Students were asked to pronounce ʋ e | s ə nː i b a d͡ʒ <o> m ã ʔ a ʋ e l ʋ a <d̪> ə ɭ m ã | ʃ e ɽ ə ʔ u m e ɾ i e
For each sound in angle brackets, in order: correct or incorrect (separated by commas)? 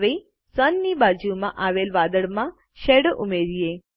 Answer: incorrect, correct